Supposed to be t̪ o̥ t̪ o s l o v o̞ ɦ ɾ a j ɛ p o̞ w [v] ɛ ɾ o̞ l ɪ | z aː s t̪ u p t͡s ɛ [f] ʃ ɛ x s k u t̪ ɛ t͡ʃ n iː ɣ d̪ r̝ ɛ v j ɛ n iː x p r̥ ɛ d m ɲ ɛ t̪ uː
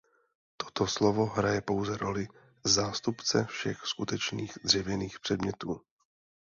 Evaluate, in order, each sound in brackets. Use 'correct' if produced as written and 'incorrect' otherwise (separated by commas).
incorrect, correct